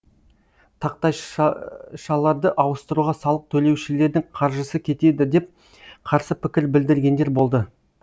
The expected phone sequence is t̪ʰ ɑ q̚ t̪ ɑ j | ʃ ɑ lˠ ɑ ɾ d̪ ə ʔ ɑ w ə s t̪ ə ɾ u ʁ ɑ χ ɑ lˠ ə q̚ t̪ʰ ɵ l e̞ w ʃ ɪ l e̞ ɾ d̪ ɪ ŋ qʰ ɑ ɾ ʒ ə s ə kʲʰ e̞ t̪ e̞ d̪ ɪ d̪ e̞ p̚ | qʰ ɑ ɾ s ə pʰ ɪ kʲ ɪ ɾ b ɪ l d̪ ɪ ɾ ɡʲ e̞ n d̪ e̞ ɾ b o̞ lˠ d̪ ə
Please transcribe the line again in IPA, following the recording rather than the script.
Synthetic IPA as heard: t̪ʰ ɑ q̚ t̪ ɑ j | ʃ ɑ lˠ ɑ ɾ d̪ ə ʔ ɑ w ə s t̪ ə ɾ u ʁ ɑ s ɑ lˠ ə q̚ t̪ʰ ɵ l e̞ w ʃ ɪ l e̞ ɾ d̪ ɪ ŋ qʰ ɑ ɾ ʒ ə s ə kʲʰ e̞ t̪ e̞ d̪ ɪ d̪ e̞ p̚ | qʰ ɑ ɾ s ə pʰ ɪ kʲ ɪ ɾ b ɪ l d̪ ɪ ɾ ɡʲ e̞ n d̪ e̞ ɾ b o̞ lˠ d̪ ə